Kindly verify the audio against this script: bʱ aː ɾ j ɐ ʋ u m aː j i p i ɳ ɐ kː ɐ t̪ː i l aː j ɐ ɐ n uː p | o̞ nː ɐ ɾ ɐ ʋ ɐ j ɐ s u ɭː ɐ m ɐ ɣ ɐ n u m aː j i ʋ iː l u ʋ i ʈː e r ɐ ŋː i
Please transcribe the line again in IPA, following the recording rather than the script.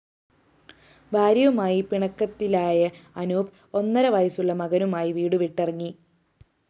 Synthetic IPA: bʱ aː ɾ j ɐ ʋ u m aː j i p i ɳ ɐ kː ɐ t̪ː i l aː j ɐ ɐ n uː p | o̞ nː ɐ ɾ ɐ ʋ ɐ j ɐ s u ɭː ɐ m ɐ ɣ ɐ n u m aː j i ʋ iː ɽ u ʋ i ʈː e r ɐ ŋː i

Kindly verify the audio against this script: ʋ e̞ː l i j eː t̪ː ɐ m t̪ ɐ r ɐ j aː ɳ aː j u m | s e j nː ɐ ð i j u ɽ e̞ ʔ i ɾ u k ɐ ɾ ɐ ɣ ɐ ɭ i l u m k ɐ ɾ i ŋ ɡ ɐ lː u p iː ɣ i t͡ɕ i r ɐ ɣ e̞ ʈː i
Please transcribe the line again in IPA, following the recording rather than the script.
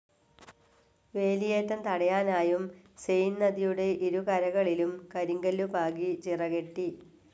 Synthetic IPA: ʋ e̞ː l i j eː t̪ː ɐ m t̪ ɐ ɽ ɐ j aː n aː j u m | s e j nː ɐ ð i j u ɽ e̞ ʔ i ɾ u k ɐ ɾ ɐ ɣ ɐ ɭ i l u m k ɐ ɾ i ŋ ɡ ɐ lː u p aː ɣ i t͡ɕ i r ɐ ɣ e̞ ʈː i

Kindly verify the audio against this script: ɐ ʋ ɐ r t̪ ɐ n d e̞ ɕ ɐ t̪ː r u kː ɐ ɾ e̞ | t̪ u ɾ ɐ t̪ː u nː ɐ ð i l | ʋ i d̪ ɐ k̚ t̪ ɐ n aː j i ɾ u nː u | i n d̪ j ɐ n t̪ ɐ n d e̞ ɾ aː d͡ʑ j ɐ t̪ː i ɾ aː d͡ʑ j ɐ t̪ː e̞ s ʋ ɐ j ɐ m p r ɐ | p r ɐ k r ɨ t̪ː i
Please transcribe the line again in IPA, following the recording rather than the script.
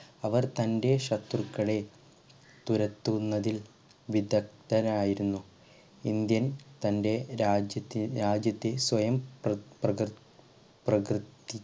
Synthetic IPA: ɐ ʋ ɐ r t̪ ɐ n d e̞ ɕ ɐ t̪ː r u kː ɐ ɭ e̞ | t̪ u ɾ ɐ t̪ː u nː ɐ ð i l | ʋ i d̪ ɐ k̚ t̪ ɐ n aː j i ɾ u nː u | i n d̪ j ɐ n t̪ ɐ n d e̞ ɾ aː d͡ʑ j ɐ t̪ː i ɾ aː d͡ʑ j ɐ t̪ː e̞ s ʋ ɐ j ɐ m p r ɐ | p r ɐ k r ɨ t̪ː i

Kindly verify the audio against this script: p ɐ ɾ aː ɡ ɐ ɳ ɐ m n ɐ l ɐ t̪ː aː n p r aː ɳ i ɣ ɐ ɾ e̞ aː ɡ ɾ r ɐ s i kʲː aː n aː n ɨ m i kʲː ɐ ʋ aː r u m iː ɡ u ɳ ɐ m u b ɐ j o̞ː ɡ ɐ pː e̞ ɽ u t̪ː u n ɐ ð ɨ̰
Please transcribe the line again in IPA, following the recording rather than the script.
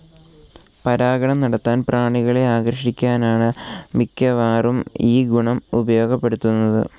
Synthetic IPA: p ɐ ɾ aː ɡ ɐ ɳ ɐ m n ɐ ɽ ɐ t̪ː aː n p r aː ɳ i ɣ ɐ ɭ e̞ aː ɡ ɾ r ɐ ʂ i kʲː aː n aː ɳ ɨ m i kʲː ɐ ʋ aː r u m iː ɡ u ɳ ɐ m u b ɐ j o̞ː ɡ ɐ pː e̞ ɽ u t̪ː u nː ɐ ð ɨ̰

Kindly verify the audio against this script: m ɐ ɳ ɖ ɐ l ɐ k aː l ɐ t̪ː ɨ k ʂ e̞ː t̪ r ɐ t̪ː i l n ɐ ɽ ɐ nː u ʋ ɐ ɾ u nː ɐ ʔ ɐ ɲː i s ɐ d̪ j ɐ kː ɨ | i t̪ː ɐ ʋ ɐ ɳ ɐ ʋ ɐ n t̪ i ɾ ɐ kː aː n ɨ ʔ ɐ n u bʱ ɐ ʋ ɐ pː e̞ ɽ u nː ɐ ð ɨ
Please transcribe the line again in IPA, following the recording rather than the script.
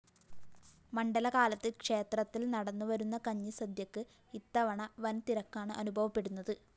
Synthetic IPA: m ɐ ɳ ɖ ɐ l ɐ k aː l ɐ t̪ː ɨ k ʂ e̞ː t̪ r ɐ t̪ː i l n ɐ ɽ ɐ nː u ʋ ɐ ɾ u nː ɐ k ɐ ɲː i s ɐ d̪ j ɐ kː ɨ | i t̪ː ɐ ʋ ɐ ɳ ɐ ʋ ɐ n t̪ i ɾ ɐ kː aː ɳ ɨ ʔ ɐ n u bʱ ɐ ʋ ɐ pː e̞ ɽ u nː ɐ ð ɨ

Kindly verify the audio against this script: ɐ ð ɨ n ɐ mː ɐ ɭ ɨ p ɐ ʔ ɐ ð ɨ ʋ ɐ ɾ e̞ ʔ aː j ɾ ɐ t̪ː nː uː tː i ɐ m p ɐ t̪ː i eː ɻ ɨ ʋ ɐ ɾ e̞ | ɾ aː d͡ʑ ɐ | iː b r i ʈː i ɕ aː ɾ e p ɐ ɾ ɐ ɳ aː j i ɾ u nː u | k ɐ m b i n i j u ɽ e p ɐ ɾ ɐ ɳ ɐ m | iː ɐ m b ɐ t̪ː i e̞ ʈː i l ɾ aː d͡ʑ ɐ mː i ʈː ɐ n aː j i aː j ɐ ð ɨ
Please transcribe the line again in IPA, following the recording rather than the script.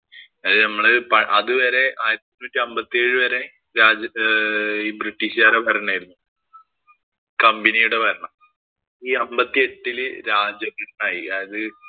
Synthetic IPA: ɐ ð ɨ n ɐ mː ɐ ɭ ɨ p ɐ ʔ ɐ ð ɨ ʋ ɐ ɾ e̞ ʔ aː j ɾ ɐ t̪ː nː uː tː i ɐ m b ɐ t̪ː i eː ɻ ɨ ʋ ɐ ɾ e̞ | ɾ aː d͡ʑ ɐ | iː b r i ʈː i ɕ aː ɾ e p ɐ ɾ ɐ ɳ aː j i ɾ u nː u | k ɐ m b i n i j u ɽ e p ɐ ɾ ɐ ɳ ɐ m | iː ɐ m b ɐ t̪ː i e̞ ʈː i l ɾ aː d͡ʑ ɐ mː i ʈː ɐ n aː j i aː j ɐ ð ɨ

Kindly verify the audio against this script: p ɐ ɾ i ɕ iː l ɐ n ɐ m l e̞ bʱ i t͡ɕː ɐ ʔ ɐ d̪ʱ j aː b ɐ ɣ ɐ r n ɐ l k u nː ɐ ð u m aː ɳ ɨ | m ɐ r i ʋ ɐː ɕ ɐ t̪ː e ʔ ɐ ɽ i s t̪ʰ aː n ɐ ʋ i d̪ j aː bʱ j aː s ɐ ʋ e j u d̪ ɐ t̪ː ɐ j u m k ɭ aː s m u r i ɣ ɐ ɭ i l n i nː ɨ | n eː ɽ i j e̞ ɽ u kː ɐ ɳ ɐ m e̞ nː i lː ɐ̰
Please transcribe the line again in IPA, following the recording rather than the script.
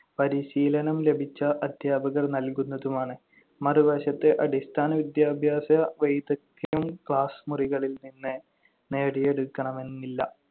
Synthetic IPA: p ɐ ɾ i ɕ iː l ɐ n ɐ m l e̞ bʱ i t͡ɕː ɐ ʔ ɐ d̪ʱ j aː b ɐ ɣ ɐ r n ɐ l k u nː ɐ ð u m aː ɳ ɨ | m ɐ r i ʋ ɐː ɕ ɐ t̪ː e ʔ ɐ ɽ i s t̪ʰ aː n ɐ ʋ i d̪ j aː bʱ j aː s ɐ ʋ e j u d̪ ɐ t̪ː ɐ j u m k ɭ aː s m u r i ɣ ɐ ɭ i l n i nː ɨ | n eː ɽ i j e̞ ɽ u kː ɐ ɳ ɐ m e̞ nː i lː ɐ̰

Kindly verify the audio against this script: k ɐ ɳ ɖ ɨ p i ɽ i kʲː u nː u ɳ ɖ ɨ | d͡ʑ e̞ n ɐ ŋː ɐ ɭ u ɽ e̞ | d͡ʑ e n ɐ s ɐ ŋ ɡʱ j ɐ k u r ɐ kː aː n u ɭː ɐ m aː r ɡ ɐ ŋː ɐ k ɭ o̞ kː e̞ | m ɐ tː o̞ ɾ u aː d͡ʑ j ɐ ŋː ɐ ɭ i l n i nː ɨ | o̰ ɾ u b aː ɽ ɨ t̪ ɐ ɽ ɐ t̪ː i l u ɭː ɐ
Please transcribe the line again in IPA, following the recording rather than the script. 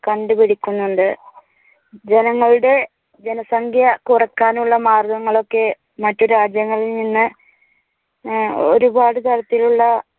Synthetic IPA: k ɐ ɳ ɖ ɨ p i ɽ i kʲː u nː u ɳ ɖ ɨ | d͡ʑ e̞ n ɐ ŋː ɐ ɭ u ɽ e̞ | d͡ʑ e n ɐ s ɐ ŋ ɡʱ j ɐ k u r ɐ kː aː n u ɭː ɐ m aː r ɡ ɐ ŋː ɐ ɭ o̞ kː e̞ | m ɐ tː o̞ ɾ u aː d͡ʑ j ɐ ŋː ɐ ɭ i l n i nː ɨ | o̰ ɾ u b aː ɽ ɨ t̪ ɐ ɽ ɐ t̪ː i l u ɭː ɐ

